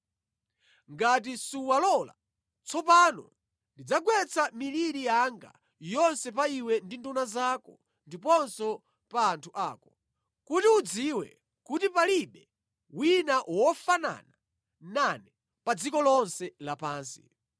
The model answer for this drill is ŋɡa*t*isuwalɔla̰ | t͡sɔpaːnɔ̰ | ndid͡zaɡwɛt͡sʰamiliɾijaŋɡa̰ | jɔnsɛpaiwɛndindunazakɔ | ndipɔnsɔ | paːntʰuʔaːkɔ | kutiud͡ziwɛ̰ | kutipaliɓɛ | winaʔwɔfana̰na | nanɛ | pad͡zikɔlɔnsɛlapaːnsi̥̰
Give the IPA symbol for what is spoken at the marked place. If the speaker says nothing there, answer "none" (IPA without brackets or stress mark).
t